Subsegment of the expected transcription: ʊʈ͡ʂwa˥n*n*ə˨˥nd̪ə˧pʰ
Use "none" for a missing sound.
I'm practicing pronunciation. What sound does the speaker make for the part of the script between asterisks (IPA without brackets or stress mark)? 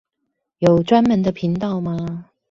m